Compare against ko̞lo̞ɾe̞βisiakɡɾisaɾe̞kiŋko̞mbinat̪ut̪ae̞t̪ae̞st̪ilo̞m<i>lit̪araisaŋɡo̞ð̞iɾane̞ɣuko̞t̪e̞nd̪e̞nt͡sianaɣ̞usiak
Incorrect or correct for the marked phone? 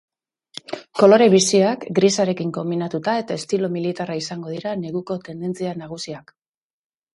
correct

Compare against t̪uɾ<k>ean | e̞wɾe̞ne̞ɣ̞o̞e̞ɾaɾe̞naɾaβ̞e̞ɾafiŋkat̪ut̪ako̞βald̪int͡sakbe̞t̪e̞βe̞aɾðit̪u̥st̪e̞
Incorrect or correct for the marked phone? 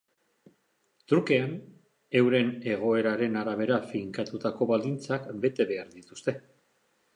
correct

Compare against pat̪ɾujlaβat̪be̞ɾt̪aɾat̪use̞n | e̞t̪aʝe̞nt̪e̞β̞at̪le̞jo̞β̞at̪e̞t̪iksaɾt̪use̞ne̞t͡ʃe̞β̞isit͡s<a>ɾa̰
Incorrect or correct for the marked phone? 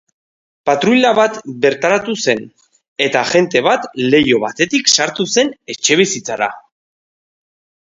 correct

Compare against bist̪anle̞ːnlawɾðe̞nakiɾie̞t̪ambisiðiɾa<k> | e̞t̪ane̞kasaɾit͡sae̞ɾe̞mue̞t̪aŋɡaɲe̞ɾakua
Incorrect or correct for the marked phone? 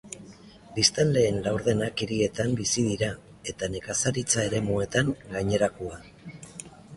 incorrect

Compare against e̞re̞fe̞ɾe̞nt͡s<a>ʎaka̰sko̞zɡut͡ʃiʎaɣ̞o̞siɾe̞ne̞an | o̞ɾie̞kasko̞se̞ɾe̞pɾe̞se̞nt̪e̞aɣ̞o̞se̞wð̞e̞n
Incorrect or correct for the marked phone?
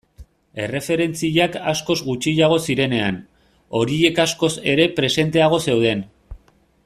incorrect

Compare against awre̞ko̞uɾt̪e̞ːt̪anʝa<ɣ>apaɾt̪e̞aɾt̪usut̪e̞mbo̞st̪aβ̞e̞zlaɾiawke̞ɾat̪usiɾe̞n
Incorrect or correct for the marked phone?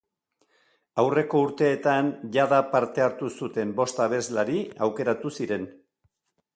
incorrect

